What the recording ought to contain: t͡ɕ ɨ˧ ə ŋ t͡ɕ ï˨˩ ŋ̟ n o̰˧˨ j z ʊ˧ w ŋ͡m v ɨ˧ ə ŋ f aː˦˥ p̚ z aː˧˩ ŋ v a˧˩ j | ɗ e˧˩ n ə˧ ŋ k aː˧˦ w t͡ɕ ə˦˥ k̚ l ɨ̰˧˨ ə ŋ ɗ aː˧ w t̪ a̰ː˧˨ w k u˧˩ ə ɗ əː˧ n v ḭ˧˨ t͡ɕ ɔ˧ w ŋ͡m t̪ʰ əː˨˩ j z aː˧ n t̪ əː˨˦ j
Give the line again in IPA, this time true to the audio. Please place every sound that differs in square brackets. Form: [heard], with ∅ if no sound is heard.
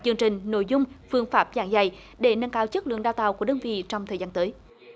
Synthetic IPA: t͡ɕ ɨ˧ ə ŋ t͡ɕ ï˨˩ ŋ̟ n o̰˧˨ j z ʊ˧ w ŋ͡m [f] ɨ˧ ə ŋ f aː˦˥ p̚ z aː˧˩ ŋ [z] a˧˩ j | ɗ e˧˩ n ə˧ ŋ k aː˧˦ w t͡ɕ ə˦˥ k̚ l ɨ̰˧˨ ə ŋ ɗ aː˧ w t̪ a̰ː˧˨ w k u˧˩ ə ɗ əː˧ n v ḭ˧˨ t͡ɕ ɔ˧ w ŋ͡m t̪ʰ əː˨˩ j z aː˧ n t̪ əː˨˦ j